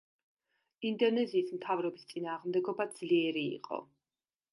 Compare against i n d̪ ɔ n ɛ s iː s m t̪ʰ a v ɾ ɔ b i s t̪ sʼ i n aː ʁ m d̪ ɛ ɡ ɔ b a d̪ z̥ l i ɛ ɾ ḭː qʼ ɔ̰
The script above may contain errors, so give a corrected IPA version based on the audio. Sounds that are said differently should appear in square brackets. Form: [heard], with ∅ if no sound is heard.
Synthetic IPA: i n d̪ ɔ n ɛ [z] iː s m t̪ʰ a v ɾ ɔ b i s t̪ sʼ i n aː ʁ m d̪ ɛ ɡ ɔ b a d̪ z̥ l i ɛ ɾ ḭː qʼ ɔ̰